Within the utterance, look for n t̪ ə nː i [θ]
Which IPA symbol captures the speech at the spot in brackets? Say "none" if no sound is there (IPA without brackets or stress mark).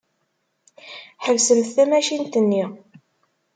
none